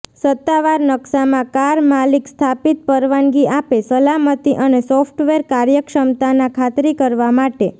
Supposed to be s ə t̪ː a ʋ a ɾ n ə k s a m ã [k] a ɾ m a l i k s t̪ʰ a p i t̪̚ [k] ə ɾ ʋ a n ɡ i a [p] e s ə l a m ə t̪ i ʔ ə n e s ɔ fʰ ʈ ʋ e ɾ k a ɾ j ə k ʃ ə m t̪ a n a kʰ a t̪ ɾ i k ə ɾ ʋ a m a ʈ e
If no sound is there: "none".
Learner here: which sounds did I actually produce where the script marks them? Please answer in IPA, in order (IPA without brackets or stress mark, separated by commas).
k, p, p